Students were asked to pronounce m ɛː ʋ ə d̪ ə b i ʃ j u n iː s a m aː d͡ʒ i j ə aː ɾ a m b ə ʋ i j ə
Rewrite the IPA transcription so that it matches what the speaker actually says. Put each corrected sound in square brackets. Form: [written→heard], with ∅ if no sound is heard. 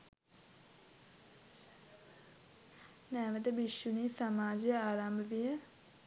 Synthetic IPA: [m→n] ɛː ʋ ə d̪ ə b i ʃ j u n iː s a m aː d͡ʒ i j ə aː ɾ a m b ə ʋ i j ə